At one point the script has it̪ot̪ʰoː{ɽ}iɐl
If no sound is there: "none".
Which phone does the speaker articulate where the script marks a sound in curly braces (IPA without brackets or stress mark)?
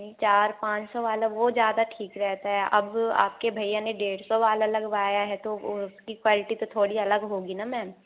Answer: ɽ